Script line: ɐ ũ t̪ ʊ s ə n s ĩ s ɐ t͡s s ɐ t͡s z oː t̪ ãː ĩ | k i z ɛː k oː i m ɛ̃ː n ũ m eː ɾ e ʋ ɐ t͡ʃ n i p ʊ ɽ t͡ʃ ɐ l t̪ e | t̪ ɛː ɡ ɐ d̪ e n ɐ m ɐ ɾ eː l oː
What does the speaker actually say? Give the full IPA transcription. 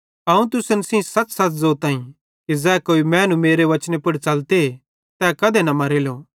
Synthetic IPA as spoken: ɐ ũ t̪ ʊ s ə n s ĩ s ɐ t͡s s ɐ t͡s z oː t̪ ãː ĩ | k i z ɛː k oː i m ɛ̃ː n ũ m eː ɾ e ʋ ɐ t͡ʃ n e p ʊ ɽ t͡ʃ ɐ l t̪ e | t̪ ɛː k ɐ d̪ e n ɐ m ɐ ɾ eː l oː

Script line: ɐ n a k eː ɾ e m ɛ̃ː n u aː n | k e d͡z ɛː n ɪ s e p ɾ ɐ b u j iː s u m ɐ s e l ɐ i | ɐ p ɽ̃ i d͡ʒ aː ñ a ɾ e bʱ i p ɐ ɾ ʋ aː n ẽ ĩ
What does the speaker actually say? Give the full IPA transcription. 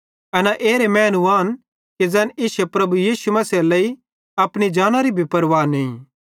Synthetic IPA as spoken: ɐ n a ʔ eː ɾ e m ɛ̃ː n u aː n | k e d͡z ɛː n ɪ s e p ɾ ɐ b u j iː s u m ɐ s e l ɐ i | ɐ p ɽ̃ i d͡ʒ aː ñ a ɾ i bʱ i p ɐ ɾ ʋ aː n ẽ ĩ

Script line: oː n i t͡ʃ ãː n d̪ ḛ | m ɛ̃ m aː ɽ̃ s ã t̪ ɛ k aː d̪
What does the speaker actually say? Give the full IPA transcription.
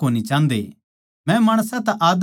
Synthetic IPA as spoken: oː n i t͡ʃ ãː n d̪ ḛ | m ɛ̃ m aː ɽ̃ s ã t̪ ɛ ʔ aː d̪

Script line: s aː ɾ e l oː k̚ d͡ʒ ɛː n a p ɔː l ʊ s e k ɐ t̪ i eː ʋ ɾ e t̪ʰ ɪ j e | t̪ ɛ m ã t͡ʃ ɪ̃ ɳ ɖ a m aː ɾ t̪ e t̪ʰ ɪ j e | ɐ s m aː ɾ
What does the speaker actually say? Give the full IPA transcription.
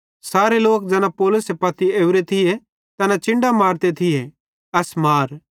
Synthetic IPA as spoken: s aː ɾ e l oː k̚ d͡ʒ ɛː n a p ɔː l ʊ s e p ɐ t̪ i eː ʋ ɾ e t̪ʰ ɪ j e | t̪ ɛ n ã t͡ʃ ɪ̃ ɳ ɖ a m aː ɾ t̪ e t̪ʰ ɪ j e | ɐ s m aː ɾ

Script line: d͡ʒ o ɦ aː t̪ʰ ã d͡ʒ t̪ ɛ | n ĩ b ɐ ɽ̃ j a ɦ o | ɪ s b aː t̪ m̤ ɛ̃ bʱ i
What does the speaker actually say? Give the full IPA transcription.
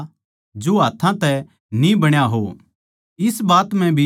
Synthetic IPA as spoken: d͡ʒ o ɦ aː t̪ʰ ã t̪ ɛ | n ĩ b ɐ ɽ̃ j a ɦ o | ɪ s b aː t̪ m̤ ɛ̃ bʱ i

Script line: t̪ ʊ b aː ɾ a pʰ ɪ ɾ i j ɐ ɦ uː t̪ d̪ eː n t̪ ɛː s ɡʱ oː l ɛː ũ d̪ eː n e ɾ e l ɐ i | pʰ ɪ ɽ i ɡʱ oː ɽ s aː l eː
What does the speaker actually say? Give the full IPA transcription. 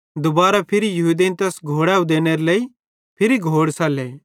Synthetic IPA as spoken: d̪ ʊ b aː ɾ a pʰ ɪ ɾ i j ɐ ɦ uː d̪ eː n t̪ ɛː s ɡʱ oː ɽ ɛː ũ d̪ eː n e ɾ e l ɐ i | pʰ ɪ ɾ i ɡʱ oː ɽ s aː l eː

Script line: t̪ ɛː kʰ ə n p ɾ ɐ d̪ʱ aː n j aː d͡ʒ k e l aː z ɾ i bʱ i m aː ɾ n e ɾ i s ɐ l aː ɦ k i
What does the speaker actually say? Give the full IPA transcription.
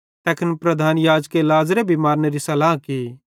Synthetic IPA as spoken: t̪ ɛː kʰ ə n p ɾ ɐ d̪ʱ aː n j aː d͡ʒ k e l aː z ɾ e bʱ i m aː ɾ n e ɾ i s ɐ l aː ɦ k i

